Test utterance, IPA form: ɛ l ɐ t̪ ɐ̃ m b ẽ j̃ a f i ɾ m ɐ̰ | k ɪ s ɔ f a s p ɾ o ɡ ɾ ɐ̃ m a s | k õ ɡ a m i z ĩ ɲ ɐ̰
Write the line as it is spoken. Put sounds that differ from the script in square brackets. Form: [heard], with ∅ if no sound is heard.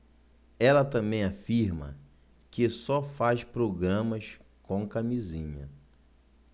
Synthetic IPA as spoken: ɛ l ɐ t̪ ɐ̃ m b ẽ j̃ a f i ɾ m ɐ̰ | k ɪ s ɔ f a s p ɾ o ɡ ɾ ɐ̃ m [ɐ] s | k õ [k] a m i z ĩ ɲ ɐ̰